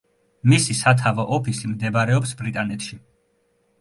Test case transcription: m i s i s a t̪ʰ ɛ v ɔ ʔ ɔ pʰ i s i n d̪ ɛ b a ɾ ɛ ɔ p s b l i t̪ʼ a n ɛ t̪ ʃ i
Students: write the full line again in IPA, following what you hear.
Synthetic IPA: m i s i s a t̪ʰ a v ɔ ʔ ɔ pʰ i s i m d̪ ɛ b a ɾ ɛ ɔ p s b ɾ i t̪ʼ a n ɛ t̪ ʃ i